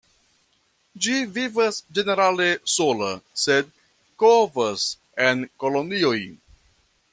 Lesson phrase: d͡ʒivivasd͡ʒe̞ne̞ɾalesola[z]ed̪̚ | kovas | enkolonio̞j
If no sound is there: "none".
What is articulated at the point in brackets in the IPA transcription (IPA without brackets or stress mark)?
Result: s